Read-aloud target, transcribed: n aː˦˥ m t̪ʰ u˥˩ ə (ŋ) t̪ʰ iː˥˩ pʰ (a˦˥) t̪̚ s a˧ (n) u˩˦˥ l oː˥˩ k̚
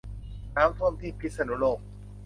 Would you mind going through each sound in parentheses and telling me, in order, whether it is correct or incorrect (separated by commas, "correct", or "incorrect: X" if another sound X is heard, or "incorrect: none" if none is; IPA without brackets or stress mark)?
incorrect: m, incorrect: i˦˥, correct